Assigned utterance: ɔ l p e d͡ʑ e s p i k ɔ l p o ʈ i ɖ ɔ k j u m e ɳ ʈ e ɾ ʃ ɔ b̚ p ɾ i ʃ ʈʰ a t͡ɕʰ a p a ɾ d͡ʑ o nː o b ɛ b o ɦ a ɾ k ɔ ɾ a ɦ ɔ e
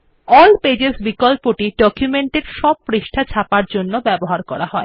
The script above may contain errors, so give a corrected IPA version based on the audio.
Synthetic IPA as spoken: ɔ l p e d͡ʑ e s b i k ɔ l p o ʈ i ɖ ɔ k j u m e ɳ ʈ e ɾ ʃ ɔ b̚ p ɾ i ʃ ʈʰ a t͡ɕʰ a p a ɾ d͡ʑ o nː o b ɛ b o ɦ a ɾ k ɔ ɾ a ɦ ɔ e